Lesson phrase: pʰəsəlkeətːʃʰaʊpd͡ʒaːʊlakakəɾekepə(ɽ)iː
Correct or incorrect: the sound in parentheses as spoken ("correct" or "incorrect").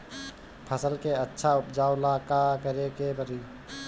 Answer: incorrect